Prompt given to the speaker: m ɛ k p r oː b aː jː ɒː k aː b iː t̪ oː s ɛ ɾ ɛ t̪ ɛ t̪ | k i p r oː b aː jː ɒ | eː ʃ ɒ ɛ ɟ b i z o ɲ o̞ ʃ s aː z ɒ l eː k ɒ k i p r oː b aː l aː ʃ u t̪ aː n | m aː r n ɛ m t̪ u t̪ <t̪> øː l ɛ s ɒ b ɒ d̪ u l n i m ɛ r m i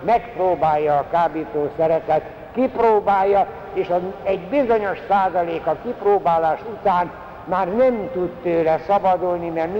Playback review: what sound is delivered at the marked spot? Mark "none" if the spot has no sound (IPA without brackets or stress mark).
t̪